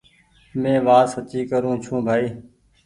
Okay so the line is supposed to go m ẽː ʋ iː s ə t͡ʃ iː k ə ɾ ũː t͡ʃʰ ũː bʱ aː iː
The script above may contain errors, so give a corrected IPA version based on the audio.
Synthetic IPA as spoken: m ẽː ʋ aː s ə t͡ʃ iː k ə ɾ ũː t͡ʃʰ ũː bʱ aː iː